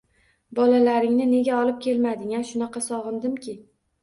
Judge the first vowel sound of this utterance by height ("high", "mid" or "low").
low